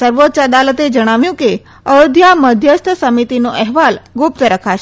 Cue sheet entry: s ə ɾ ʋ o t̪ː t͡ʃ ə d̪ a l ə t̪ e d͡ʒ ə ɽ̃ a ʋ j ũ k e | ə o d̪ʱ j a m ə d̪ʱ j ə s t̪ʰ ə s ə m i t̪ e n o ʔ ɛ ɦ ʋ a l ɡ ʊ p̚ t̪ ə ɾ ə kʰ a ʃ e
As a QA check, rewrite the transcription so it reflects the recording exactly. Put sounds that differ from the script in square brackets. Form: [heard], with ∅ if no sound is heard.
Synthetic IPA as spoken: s ə ɾ ʋ o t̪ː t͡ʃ ə d̪ a l ə t̪ e d͡ʒ ə ɽ̃ a ʋ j ũ k e | ə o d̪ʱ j a m ə d̪ʱ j ə s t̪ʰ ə s ə m i t̪ [i] n o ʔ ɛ ɦ ʋ a l ɡ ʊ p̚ t̪ ə ɾ ə kʰ a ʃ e